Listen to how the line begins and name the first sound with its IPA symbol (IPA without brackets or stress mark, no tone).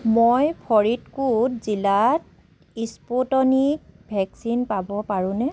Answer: m